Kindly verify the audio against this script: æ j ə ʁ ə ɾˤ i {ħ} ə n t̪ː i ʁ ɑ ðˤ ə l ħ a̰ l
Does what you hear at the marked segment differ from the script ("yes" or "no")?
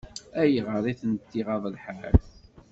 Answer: yes